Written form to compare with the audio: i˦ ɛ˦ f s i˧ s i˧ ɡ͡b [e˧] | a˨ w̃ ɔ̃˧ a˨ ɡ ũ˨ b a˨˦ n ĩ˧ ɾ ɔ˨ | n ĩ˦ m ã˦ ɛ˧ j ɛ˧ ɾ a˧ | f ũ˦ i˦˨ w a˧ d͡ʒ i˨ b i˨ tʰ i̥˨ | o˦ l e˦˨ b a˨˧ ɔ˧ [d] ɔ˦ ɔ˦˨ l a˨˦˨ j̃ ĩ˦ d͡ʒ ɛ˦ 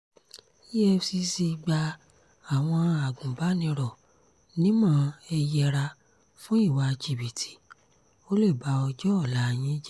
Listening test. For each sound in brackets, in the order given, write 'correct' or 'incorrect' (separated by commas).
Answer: incorrect, incorrect